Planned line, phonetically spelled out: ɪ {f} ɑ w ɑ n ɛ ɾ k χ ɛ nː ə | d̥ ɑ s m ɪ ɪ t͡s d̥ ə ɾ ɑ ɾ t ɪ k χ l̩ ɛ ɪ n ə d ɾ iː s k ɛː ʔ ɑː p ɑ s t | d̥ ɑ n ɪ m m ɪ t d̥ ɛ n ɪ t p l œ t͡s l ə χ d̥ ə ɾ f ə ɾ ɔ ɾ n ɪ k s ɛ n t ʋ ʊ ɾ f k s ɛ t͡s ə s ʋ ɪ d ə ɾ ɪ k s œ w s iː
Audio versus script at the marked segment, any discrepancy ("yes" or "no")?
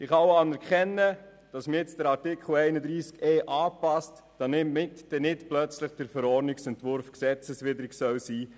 yes